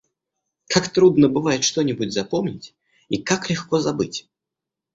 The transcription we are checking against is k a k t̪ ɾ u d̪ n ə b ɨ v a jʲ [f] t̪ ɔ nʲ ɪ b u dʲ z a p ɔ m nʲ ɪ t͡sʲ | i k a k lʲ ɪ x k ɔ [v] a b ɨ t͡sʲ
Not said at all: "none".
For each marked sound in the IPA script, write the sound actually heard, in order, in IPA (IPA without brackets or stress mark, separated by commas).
ʂ, z